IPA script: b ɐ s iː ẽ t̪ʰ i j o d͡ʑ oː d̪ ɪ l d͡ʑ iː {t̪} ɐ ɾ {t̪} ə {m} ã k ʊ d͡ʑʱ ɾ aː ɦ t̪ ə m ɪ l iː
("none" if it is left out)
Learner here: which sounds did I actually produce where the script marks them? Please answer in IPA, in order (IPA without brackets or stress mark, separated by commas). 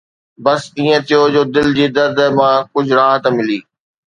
d̪, d̪, m